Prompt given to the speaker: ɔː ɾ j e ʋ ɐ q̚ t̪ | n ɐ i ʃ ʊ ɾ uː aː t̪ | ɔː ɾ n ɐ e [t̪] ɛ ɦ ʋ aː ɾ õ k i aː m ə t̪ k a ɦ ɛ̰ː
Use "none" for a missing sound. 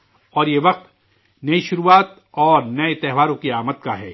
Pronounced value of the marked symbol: t̪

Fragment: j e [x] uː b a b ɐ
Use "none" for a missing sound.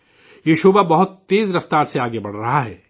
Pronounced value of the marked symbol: ʃ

